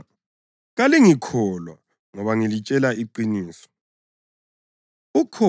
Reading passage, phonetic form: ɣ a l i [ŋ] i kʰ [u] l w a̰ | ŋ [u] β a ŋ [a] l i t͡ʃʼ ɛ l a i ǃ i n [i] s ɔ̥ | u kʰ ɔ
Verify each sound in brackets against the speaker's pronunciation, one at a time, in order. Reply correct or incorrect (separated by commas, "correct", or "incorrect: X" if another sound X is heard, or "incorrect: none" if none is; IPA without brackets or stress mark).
correct, incorrect: ɔ, incorrect: ɔ, incorrect: i, incorrect: iː